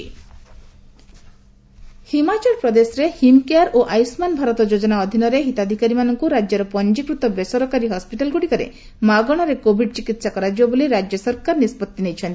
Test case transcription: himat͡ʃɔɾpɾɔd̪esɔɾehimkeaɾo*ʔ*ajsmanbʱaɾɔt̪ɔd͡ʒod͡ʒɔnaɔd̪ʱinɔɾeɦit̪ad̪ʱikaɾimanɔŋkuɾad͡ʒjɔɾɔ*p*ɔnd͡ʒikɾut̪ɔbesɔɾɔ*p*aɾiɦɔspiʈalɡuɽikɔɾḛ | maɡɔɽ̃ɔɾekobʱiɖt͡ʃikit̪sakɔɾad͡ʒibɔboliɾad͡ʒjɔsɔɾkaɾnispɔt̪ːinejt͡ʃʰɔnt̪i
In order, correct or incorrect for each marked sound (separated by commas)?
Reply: correct, correct, incorrect